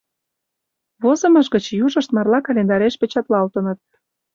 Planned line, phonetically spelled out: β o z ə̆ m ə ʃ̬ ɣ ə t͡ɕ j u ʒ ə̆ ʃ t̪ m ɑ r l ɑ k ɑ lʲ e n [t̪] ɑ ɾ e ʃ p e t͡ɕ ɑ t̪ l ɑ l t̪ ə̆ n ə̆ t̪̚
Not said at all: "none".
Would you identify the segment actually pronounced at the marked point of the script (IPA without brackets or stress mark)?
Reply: d̪